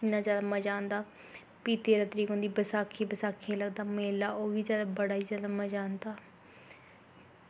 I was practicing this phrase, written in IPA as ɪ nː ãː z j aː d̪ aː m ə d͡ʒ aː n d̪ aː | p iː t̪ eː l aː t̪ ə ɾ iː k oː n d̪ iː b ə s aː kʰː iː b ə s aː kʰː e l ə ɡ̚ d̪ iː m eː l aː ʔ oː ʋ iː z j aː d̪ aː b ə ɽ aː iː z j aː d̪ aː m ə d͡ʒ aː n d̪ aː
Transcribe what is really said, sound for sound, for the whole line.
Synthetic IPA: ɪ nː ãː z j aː d̪ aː m ə d͡ʒ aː n d̪ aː | p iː t̪ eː ɾ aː t̪ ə ɾ iː k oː n d̪ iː b ə s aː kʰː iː b ə s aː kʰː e l ə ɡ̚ d̪ aː m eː l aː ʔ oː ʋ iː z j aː d̪ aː b ə ɽ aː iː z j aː d̪ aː m ə d͡ʒ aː n d̪ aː